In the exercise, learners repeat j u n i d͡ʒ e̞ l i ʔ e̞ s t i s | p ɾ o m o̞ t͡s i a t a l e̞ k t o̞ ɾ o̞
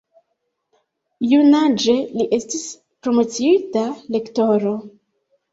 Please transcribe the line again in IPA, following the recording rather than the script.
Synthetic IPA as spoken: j u n a d͡ʒ e̞ l i ʔ e̞ s t i s | p ɾ o m o̞ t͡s i i t a l e̞ k t o̞ ɾ o̞